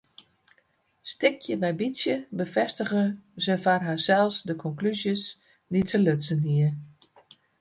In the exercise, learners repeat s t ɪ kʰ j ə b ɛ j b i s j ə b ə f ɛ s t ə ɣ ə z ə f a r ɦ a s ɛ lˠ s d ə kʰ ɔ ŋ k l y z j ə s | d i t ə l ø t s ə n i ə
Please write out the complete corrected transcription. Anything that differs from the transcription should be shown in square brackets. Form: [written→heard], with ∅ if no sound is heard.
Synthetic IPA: s t ɪ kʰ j ə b ɛ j b i s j ə b ə f ɛ s t ə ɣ ə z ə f a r ɦ a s ɛ lˠ s d ə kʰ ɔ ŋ k l y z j ə s | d i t ə l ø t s ə n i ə